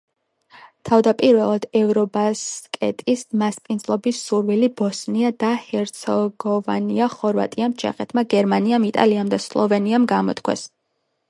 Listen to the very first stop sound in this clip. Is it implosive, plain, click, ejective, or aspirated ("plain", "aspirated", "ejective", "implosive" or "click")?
aspirated